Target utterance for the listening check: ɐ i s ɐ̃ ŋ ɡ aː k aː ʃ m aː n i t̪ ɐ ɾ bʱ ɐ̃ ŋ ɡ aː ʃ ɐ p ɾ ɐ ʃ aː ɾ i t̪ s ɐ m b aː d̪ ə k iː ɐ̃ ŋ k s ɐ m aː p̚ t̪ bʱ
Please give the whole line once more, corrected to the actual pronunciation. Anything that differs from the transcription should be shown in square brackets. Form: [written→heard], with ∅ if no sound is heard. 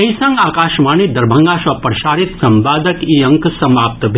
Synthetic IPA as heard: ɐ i s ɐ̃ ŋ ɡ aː k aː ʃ m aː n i [t̪→d̪] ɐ ɾ bʱ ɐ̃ ŋ ɡ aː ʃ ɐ p ɾ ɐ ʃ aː ɾ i t̪ s ɐ m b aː d̪ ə k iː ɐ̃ ŋ k s ɐ m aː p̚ t̪ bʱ